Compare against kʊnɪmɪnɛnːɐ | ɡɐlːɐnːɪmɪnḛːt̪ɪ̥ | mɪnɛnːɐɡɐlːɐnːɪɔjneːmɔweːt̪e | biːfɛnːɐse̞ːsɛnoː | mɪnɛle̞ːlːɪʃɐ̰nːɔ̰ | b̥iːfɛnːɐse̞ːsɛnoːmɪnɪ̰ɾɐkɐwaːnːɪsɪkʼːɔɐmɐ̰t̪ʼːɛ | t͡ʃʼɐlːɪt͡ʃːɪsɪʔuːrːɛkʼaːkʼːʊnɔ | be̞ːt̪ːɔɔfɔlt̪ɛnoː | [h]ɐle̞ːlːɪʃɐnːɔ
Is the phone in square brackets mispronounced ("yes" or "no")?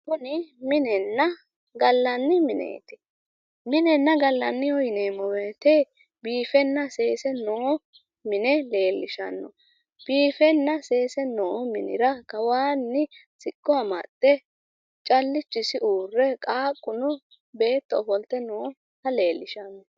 no